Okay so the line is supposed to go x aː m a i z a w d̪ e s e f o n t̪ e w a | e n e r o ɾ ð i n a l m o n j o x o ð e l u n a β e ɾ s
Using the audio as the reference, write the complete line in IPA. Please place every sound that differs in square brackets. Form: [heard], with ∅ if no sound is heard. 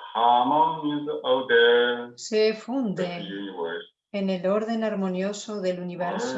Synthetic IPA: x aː m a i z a w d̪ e s e f [u] n [d̪] e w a | e n e [l] o ɾ ð [e] n a [ɾ] m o n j o [s] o ð e l u n [i] β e ɾ s